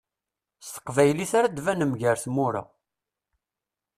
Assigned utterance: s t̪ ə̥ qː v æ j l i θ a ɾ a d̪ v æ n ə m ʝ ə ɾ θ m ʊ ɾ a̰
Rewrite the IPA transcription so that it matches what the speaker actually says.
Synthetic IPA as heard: s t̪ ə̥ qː v æ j l i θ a ɾ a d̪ v æ n ə m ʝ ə ɾ θ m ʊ ɾ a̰